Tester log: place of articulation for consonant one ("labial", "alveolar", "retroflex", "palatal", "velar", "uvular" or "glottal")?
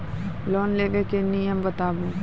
alveolar